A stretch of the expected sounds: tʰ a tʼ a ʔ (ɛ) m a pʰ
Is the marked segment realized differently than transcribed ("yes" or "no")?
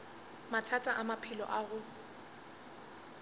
yes